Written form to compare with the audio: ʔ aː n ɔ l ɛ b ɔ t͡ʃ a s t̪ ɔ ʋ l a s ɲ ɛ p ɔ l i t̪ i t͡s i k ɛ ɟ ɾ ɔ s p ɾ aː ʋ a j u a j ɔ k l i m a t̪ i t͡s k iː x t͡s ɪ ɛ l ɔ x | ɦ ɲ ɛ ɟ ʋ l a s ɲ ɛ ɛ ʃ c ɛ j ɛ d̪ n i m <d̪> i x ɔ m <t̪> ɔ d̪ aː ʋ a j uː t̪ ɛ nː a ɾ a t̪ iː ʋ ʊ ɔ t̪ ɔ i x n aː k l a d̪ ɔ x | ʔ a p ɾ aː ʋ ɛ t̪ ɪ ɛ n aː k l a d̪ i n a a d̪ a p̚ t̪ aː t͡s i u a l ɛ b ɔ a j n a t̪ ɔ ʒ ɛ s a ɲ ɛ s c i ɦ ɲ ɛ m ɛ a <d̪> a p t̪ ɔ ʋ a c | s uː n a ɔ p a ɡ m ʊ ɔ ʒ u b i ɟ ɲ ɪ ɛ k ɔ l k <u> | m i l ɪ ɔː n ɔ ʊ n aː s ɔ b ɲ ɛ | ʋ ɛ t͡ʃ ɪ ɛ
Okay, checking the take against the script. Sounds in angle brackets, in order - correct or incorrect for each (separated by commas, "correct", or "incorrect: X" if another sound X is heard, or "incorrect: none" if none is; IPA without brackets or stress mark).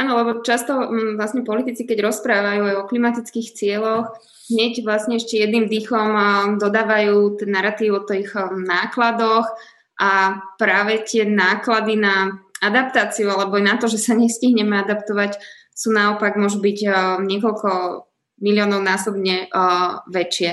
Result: correct, incorrect: d̪, correct, incorrect: ɔ